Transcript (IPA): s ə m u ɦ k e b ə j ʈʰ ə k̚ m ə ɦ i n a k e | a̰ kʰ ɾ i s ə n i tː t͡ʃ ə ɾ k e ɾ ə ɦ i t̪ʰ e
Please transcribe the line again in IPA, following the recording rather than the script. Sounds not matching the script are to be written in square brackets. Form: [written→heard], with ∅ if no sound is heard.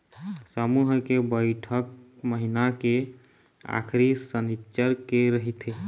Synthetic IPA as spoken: s ə m u ɦ k e b ə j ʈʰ ə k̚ m ə ɦ i n a k e | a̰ kʰ ɾ i s ə n i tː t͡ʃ ə ɾ k e ɾ ə ɦ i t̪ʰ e